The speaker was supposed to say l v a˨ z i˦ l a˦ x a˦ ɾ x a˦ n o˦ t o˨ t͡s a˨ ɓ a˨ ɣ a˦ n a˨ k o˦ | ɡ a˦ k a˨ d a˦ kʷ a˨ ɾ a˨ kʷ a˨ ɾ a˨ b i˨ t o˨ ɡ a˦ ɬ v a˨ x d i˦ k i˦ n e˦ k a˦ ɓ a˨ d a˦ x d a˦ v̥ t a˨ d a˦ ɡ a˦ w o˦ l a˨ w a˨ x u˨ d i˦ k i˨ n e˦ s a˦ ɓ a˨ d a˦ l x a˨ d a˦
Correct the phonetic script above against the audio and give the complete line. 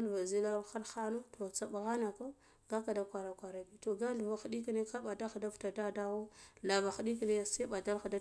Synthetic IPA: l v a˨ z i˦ l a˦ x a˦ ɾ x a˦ n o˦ t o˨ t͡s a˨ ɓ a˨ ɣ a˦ n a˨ k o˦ | ɡ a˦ k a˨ d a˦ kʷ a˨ ɾ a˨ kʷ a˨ ɾ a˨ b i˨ t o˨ ɡ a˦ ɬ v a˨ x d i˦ k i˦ n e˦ k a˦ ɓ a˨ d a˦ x d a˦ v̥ t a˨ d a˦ d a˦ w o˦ l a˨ v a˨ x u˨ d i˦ k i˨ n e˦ s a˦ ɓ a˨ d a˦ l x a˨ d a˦